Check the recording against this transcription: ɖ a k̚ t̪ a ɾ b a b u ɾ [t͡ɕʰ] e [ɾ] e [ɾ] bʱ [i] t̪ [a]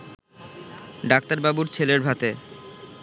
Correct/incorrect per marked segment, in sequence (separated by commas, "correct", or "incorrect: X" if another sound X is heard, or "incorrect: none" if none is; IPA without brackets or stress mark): correct, incorrect: l, correct, incorrect: a, incorrect: e